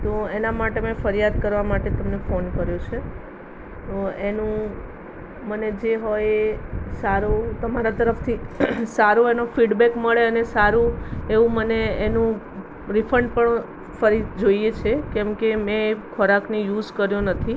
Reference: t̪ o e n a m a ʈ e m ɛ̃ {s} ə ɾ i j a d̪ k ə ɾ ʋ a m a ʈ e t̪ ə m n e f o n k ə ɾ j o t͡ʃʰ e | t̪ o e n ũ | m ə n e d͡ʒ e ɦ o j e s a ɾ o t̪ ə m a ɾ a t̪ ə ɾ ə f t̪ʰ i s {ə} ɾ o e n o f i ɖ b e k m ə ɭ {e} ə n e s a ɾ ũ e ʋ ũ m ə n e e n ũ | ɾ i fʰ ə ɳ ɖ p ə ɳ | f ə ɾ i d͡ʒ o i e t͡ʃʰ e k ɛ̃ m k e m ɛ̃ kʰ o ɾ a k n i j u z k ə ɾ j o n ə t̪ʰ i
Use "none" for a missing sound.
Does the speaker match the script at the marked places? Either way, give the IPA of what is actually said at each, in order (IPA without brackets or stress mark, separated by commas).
f, a, e